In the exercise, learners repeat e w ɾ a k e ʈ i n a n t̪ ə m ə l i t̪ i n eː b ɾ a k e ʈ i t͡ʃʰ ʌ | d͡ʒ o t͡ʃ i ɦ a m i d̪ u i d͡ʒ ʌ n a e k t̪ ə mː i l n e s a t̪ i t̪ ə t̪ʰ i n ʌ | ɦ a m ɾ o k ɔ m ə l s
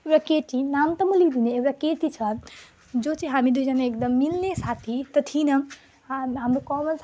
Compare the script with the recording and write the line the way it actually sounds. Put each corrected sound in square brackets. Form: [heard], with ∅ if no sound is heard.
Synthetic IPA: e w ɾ a k e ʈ i n a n t̪ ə m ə l i [d̪] i n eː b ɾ a k e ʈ i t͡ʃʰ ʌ | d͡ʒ o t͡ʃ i ɦ a m i d̪ u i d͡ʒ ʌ n a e k [d̪] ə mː i l n e s a [t̪ʰ] i t̪ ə t̪ʰ i n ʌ | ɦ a m ɾ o k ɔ m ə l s